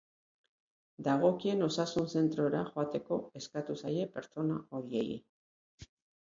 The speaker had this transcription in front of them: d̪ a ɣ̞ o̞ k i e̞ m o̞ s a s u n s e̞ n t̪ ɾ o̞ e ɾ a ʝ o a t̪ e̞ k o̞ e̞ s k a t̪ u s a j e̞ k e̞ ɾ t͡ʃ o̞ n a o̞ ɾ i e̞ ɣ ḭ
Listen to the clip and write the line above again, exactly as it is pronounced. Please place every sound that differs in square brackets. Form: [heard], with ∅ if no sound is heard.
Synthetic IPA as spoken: d̪ a ɣ̞ o̞ k i e̞ [n] o̞ s a s u n s e̞ n t̪ ɾ o̞ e ɾ a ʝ o a t̪ e̞ k o̞ e̞ s k a t̪ u s a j e̞ [p] e̞ ɾ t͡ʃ o̞ n a o̞ ɾ i e̞ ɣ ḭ